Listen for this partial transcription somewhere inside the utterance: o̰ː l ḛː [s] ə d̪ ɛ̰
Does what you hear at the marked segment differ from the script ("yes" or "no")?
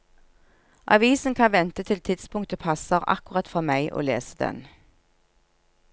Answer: no